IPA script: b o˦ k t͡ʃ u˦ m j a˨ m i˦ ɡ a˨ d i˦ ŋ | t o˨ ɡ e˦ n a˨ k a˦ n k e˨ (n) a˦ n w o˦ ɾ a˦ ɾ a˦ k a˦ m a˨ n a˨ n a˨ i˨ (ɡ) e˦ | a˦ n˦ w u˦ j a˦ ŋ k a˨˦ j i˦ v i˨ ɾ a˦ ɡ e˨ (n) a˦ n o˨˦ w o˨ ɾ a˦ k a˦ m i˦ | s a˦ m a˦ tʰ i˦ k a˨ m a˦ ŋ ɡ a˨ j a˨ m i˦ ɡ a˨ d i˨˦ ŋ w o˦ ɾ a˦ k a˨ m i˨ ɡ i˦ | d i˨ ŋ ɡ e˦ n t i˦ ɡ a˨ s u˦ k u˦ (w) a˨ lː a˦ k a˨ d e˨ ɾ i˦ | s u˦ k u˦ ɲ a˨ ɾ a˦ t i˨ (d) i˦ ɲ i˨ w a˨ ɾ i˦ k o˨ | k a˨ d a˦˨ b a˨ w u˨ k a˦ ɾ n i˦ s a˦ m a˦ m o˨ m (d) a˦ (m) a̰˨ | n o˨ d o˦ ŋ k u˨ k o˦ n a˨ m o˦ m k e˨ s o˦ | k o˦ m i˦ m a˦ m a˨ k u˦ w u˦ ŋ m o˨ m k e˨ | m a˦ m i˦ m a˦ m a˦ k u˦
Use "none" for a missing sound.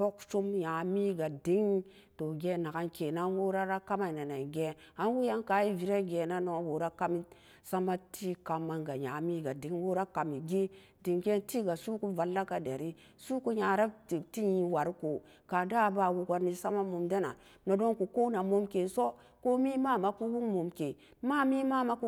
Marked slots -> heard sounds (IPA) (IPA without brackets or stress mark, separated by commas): n, ɡ, n, v, t, d, n